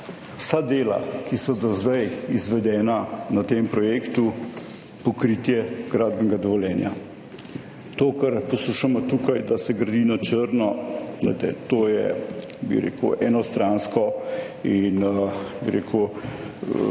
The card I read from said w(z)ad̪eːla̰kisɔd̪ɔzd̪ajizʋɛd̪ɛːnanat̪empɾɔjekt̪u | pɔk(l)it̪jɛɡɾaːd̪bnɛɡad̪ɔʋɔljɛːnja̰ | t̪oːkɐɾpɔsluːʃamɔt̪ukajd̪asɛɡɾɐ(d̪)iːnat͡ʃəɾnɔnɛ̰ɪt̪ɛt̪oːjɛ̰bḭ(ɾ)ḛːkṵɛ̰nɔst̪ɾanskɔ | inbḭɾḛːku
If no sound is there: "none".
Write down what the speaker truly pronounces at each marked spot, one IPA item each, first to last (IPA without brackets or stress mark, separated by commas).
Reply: s, ɾ, d̪, ɾ